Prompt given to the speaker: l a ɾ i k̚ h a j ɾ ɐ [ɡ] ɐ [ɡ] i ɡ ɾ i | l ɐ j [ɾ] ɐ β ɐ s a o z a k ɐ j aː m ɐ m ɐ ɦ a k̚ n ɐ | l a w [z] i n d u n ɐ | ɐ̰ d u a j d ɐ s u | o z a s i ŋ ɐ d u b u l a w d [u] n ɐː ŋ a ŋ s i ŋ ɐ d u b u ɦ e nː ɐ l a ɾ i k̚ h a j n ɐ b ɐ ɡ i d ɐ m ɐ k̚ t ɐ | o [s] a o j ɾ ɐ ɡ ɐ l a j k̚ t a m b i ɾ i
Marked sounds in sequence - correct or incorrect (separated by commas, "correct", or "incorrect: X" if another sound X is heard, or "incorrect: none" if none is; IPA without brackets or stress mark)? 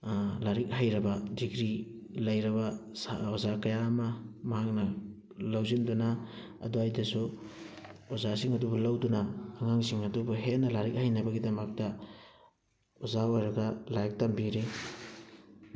incorrect: b, incorrect: d, correct, correct, correct, incorrect: z